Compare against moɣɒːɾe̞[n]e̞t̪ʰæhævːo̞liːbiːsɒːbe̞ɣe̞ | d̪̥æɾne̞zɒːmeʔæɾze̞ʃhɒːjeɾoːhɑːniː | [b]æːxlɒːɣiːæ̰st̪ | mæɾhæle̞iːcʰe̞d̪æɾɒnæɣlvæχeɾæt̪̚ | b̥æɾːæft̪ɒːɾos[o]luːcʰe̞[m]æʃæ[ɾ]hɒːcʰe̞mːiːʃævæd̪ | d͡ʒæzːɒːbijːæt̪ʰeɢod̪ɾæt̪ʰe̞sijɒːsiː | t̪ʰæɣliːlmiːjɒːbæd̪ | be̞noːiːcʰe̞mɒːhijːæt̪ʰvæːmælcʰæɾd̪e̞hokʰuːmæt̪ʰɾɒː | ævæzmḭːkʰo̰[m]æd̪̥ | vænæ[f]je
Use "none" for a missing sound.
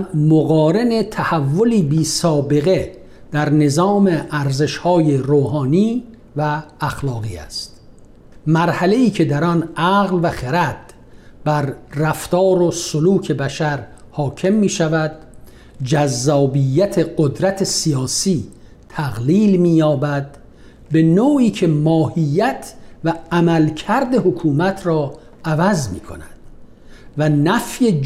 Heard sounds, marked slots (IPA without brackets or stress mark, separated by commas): n, v, o, b, ɾ, n, f